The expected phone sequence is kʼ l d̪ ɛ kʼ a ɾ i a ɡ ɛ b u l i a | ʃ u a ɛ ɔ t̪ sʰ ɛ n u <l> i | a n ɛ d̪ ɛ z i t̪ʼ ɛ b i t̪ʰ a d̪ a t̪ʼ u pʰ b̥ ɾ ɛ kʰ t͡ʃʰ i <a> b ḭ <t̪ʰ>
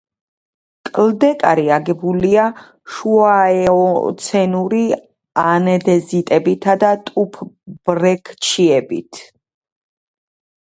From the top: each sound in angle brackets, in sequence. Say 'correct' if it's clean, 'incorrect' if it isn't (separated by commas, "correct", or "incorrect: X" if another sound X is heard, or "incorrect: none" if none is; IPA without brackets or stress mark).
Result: incorrect: ɾ, incorrect: ɛ, correct